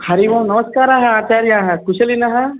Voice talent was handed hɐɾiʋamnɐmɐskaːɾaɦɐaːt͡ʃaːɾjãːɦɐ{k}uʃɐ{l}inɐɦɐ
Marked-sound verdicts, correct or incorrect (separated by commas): correct, correct